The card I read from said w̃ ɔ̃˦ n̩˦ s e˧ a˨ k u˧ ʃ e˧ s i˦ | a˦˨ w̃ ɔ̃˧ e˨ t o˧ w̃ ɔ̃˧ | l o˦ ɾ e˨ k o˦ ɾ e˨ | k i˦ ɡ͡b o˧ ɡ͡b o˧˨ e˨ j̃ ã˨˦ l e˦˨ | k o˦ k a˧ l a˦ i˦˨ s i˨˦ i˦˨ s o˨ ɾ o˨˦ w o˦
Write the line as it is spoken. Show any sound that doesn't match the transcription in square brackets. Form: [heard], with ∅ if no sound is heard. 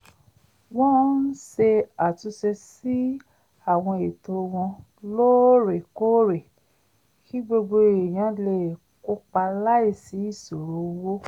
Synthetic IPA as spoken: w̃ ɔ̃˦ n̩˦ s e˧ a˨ [t] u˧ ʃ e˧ s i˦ | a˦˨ w̃ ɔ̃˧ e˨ t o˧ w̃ ɔ̃˧ | l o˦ ɾ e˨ k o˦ ɾ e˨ | k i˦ ɡ͡b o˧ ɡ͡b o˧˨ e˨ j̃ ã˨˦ l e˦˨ | k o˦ [k͡p] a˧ l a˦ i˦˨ s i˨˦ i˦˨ s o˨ ɾ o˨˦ w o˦